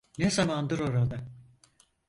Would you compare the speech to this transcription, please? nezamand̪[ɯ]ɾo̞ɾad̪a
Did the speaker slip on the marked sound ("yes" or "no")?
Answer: no